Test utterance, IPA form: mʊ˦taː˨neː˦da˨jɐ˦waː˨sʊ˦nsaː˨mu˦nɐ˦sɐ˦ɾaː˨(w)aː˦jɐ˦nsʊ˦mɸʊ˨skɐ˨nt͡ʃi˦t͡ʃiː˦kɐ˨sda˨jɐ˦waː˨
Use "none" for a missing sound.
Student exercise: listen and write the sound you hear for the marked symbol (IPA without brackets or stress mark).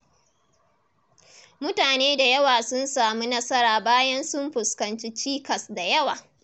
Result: b